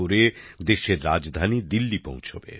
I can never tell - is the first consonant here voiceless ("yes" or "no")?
no